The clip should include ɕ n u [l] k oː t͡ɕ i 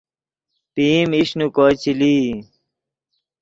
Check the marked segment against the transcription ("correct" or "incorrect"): incorrect